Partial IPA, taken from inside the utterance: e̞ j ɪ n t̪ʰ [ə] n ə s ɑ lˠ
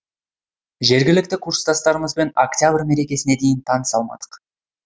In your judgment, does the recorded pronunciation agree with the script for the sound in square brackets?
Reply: no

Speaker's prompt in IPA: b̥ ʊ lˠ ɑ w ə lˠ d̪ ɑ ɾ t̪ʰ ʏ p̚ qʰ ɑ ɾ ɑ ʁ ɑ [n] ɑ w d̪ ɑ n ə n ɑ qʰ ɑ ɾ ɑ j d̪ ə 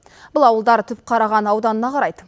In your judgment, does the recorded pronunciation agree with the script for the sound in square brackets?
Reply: yes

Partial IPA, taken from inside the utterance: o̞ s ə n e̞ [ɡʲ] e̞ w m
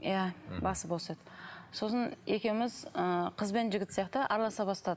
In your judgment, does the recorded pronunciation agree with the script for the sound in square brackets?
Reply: no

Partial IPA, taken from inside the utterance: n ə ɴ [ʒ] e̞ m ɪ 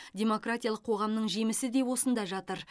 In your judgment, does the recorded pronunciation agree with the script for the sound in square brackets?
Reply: yes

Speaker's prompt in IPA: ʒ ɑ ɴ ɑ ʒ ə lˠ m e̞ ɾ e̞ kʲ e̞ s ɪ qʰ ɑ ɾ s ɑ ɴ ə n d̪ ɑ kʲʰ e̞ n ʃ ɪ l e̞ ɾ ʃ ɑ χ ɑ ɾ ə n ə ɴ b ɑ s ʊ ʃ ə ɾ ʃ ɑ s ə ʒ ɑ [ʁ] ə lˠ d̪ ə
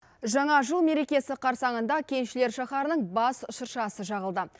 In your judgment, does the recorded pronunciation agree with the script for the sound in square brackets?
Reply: yes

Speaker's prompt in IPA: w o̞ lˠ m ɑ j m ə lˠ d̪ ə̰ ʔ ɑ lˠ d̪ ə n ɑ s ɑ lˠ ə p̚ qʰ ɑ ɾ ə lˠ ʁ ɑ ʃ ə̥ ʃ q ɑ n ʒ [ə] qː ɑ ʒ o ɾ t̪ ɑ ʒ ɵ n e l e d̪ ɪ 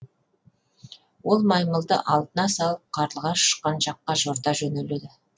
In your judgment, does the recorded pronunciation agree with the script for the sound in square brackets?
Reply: no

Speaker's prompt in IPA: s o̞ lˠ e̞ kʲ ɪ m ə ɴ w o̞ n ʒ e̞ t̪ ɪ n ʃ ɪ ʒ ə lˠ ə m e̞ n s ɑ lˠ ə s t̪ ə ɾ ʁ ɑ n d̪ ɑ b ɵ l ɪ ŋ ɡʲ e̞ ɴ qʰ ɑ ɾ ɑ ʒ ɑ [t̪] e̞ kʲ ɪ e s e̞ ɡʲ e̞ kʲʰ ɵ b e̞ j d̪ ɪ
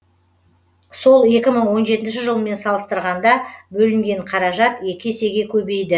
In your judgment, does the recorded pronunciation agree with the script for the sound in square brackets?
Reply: yes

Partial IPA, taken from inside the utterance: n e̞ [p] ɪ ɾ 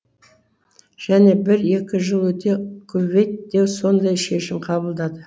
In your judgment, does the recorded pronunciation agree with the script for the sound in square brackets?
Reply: no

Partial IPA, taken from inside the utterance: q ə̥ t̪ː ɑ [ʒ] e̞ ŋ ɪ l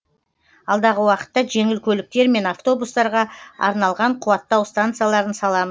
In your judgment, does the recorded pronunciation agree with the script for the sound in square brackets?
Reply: yes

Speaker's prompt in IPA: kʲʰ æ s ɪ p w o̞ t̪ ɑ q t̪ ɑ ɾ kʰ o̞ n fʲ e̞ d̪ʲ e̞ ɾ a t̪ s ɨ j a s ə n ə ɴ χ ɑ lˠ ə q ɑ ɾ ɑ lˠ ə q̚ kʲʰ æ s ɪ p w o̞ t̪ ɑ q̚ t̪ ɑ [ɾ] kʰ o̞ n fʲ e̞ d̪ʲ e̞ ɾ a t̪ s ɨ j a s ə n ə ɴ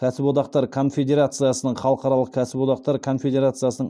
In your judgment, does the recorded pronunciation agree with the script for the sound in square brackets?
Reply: yes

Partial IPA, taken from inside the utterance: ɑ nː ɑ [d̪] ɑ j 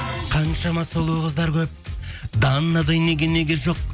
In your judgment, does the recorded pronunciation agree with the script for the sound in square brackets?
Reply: yes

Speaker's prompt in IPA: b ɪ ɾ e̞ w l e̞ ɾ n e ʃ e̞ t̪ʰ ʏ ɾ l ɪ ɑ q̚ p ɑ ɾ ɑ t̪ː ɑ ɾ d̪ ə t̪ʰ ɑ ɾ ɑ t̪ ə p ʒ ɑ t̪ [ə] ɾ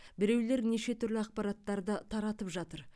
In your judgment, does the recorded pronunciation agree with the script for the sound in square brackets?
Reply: yes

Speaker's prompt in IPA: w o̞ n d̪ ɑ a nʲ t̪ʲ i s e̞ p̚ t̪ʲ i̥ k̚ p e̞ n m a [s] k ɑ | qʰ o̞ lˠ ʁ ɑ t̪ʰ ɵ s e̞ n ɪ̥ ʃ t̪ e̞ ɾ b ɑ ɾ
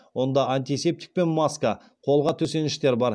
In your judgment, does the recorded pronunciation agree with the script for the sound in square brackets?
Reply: yes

